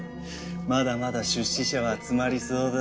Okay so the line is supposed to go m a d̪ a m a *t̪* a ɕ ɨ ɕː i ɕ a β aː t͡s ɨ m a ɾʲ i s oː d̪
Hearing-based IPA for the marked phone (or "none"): d̪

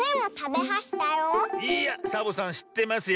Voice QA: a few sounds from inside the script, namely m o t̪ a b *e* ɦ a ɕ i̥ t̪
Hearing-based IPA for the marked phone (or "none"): e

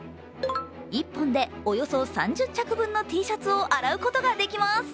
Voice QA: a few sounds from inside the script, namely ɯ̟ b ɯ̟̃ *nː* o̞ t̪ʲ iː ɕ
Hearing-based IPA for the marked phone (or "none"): nː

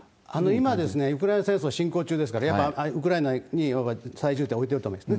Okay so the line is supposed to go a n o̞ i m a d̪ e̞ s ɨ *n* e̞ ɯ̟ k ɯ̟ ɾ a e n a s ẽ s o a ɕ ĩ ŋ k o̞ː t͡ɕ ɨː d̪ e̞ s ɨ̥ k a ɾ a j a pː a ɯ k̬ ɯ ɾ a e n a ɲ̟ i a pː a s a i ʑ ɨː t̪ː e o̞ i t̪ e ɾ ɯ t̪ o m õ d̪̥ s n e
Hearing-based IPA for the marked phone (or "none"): n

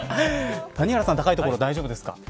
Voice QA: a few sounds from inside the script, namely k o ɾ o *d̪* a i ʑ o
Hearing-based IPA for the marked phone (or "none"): d̪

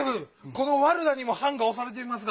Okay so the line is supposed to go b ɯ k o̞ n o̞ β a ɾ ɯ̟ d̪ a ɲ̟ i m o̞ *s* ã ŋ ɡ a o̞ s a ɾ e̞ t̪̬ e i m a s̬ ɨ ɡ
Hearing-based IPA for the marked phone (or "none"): h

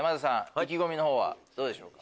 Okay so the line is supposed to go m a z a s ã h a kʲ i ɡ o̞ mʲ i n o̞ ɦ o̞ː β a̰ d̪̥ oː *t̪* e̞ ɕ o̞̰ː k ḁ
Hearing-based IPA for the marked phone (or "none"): d̪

